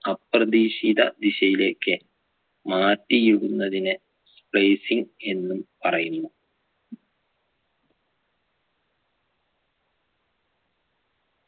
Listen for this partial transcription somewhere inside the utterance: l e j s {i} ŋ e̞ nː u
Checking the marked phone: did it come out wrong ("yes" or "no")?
no